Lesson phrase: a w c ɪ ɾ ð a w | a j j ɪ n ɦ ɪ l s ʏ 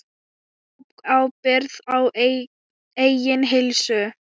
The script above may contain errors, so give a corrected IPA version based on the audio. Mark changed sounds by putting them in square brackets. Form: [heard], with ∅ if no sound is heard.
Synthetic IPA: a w [p] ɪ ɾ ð a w | [e] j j ɪ n ɦ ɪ l s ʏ